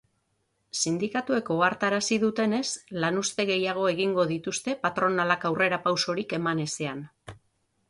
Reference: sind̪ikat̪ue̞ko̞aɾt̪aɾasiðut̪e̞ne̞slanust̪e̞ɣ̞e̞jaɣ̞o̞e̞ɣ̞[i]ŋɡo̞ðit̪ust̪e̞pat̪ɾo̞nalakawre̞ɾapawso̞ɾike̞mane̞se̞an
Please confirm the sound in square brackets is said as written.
yes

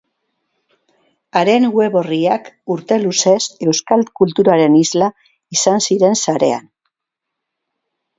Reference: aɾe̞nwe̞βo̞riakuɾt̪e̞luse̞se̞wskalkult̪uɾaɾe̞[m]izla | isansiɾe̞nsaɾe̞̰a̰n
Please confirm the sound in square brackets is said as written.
no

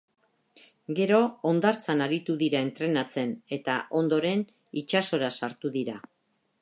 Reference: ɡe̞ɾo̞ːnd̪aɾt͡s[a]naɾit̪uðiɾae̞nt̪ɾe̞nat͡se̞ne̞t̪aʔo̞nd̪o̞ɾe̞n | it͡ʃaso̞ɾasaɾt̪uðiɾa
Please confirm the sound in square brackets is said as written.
yes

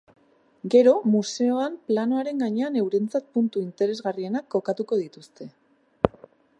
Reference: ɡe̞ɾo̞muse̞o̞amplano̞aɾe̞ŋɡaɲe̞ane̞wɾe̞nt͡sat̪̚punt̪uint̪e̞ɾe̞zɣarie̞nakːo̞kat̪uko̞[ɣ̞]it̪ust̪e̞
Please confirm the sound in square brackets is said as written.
no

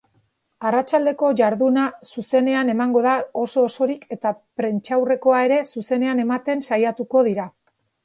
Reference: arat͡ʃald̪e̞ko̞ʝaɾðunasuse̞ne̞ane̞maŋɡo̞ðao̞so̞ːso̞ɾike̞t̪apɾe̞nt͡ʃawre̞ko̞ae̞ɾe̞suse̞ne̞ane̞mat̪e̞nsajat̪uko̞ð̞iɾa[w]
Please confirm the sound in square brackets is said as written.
no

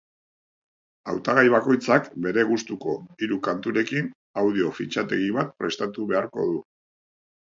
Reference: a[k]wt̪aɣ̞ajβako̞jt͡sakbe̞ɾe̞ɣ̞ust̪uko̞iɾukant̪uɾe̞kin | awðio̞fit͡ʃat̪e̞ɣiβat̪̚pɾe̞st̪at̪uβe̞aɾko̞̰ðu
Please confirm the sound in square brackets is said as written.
no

